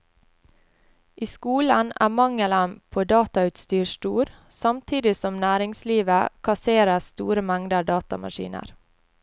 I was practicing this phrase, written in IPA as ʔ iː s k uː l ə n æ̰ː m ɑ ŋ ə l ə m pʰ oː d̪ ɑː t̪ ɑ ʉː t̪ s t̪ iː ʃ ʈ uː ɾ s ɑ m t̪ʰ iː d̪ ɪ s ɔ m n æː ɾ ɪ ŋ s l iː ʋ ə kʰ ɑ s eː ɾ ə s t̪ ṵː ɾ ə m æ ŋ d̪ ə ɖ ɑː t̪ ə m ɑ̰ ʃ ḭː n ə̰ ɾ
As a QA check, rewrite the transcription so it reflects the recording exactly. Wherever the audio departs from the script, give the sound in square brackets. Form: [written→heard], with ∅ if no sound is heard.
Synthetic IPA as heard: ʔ iː s k uː l ə n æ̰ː m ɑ ŋ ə l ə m pʰ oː d̪ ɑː t̪ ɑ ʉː t̪ s t̪ [iː→yː] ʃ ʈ uː ɾ s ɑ m t̪ʰ iː d̪ ɪ s ɔ m n æː ɾ ɪ ŋ s l iː ʋ ə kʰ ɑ s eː ɾ ə s t̪ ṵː ɾ ə m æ ŋ d̪ ə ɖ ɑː t̪ [ə→ɑ] m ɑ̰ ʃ ḭː n ə̰ ɾ